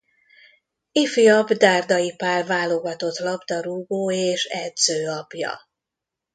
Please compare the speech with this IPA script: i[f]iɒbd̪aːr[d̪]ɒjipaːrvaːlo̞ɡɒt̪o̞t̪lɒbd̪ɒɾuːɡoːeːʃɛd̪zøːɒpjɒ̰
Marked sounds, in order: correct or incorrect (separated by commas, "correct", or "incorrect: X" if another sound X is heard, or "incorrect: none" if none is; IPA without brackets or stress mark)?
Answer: correct, correct